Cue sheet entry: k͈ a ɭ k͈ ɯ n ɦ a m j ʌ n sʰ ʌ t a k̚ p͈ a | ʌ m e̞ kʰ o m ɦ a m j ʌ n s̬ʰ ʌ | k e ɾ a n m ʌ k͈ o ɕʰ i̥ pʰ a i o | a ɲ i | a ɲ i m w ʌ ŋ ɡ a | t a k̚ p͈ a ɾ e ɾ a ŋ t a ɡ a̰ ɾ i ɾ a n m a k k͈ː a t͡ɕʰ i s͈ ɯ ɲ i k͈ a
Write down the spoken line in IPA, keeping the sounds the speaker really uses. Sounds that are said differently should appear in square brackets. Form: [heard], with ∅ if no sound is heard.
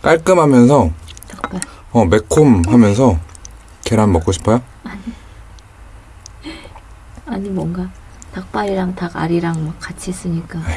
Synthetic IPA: k͈ a ɭ k͈ ɯ [m] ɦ a m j ʌ n sʰ ʌ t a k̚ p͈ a | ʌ m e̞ kʰ o m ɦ a m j ʌ n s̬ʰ ʌ | k e ɾ a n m ʌ k͈ o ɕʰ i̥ pʰ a [j] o | a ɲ i | a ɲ i m w ʌ ŋ ɡ a | t a k̚ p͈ a ɾ [i] ɾ a ŋ t a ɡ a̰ ɾ i ɾ a [ŋ] m a k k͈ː a t͡ɕʰ i s͈ ɯ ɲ i k͈ a